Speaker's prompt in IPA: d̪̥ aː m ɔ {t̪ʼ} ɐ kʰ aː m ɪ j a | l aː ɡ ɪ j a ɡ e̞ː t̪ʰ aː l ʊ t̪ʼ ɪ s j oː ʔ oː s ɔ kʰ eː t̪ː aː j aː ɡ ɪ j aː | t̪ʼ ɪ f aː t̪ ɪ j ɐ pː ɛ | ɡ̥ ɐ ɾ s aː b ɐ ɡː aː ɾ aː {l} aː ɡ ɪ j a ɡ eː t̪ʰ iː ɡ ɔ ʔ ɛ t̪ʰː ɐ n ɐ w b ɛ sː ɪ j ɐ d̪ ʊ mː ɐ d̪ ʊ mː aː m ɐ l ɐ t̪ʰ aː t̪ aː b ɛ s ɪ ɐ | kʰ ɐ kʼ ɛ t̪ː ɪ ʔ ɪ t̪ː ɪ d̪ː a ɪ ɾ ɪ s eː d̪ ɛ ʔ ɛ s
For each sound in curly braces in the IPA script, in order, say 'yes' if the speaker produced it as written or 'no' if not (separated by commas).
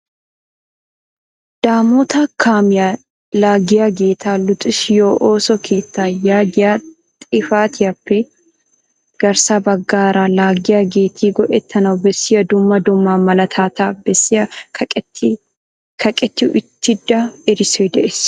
no, yes